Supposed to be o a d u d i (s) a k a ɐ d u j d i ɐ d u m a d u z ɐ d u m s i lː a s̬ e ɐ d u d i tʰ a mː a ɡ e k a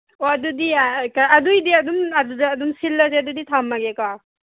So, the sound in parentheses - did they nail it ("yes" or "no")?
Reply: no